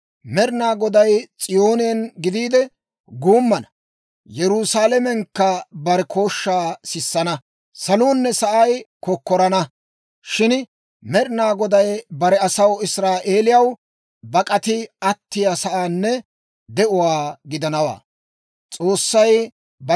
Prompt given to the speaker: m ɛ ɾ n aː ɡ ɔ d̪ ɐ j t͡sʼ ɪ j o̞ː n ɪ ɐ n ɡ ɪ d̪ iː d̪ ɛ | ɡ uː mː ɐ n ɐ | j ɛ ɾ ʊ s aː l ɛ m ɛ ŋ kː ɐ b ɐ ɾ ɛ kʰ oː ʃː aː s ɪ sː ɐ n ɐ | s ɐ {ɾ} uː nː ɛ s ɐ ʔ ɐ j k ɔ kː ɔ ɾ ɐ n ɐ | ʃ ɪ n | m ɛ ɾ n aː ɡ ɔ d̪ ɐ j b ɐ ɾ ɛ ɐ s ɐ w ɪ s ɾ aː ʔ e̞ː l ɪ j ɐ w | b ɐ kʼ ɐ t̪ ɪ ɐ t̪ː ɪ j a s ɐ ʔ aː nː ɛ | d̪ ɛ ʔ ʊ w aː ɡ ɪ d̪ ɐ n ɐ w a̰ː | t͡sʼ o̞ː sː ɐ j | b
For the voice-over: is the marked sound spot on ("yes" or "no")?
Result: no